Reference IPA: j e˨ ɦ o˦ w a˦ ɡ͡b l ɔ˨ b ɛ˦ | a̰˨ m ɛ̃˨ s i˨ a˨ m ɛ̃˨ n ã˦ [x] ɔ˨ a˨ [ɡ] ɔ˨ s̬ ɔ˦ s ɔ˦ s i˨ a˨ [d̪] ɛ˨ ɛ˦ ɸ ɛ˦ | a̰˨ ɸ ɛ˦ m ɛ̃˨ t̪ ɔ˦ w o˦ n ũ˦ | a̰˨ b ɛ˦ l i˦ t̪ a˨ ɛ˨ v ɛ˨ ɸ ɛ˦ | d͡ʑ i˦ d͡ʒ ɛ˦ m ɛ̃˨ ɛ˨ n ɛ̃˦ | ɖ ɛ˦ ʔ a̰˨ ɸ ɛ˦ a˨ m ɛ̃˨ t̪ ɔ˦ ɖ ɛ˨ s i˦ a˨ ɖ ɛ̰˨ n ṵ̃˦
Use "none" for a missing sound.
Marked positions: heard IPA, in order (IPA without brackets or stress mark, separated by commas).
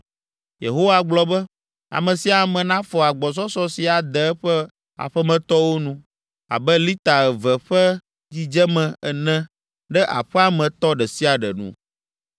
f, ɡ͡b, d̪